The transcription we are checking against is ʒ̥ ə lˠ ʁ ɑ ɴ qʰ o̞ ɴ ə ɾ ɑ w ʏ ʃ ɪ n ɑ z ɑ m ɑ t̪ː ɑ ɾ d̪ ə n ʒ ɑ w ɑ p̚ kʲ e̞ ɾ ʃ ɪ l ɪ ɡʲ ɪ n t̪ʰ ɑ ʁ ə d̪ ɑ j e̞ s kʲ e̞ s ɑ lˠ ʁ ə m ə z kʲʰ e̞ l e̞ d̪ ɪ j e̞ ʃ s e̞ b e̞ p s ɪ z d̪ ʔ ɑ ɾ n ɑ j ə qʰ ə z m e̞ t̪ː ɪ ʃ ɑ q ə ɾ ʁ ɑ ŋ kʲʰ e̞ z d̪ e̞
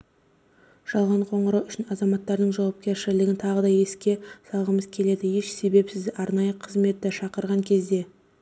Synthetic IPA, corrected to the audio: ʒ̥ ɑ lˠ ʁ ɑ ɴ qʰ o̞ ɴ ə ɾ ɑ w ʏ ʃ ɪ n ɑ z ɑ m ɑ t̪ː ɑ ɾ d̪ ə ɴ ʒ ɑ w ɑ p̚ kʲ e̞ ɾ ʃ ɪ l ɪ ɡʲ ɪ n t̪ʰ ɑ ʁ ə d̪ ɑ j e̞ s kʲ e̞ s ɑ lˠ ʁ ə m ə z kʲʰ e̞ l e̞ d̪ ɪ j e̞ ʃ s e̞ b e̞ p s ɪ z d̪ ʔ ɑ ɾ n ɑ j ə qʰ ə z m e̞ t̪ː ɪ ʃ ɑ q ə ɾ ʁ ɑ ŋ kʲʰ e̞ z d̪ e̞